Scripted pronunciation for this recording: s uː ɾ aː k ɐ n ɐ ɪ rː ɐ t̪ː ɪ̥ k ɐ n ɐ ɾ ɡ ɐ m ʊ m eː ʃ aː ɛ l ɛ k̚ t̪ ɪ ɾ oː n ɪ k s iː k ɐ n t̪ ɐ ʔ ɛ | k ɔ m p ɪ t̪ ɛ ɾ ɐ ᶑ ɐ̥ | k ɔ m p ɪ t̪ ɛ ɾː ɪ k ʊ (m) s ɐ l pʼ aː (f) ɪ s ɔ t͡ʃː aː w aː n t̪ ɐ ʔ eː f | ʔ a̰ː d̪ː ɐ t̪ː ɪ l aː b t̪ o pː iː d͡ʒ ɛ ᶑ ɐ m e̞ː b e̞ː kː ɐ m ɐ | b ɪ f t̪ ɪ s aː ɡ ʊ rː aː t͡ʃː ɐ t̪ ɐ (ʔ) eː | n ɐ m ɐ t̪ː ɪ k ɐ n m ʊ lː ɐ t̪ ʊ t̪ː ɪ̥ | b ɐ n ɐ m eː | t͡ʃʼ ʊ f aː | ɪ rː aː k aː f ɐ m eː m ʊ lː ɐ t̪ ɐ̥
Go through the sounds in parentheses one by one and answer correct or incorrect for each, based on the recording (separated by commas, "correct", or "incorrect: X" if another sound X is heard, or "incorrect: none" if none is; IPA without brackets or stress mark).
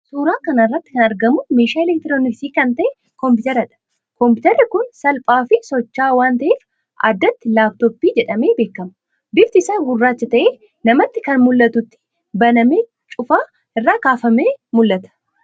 incorrect: n, correct, correct